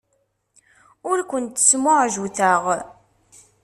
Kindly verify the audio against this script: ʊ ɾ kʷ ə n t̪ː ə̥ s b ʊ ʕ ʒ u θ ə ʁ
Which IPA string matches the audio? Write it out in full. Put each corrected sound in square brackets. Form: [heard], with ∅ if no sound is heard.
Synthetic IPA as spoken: ʊ ɾ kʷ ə n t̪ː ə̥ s [m] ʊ ʕ ʒ u θ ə ʁ